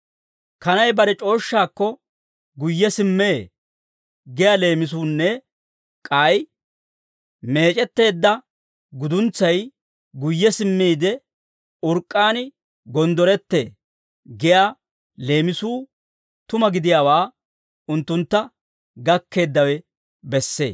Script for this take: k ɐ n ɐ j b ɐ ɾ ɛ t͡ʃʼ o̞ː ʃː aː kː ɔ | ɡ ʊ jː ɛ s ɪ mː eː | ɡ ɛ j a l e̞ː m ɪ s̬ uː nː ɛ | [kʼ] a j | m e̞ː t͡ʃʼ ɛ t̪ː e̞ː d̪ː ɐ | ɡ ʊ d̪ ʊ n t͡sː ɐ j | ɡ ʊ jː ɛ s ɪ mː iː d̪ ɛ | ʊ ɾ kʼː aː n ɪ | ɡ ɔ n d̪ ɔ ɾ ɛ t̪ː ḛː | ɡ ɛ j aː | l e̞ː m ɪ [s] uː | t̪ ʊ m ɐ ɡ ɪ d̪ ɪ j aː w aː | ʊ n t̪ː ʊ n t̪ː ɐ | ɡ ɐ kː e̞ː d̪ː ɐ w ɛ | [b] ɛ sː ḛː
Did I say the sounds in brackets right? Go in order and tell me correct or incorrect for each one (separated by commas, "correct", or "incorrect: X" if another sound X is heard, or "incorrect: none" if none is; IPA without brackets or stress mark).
correct, correct, correct